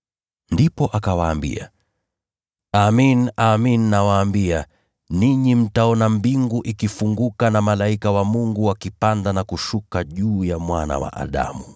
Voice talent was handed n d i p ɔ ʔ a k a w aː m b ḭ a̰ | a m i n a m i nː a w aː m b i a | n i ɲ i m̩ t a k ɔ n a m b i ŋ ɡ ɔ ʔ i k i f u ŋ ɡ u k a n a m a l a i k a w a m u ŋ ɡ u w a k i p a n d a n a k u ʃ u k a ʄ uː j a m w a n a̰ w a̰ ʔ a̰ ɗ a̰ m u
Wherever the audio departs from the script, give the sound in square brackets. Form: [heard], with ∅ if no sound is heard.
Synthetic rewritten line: n d i p ɔ ʔ a k a w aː m b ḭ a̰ | a m i n a m i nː a w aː m b i a | n i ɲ i m̩ t a [∅] ɔ n a m b i ŋ ɡ [u] ʔ i k i f u ŋ ɡ u k a n a m a l a i k a w a m u ŋ ɡ u w a k i p a n d a n a k u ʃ u k a ʄ uː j a m w a n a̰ w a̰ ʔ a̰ ɗ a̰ m u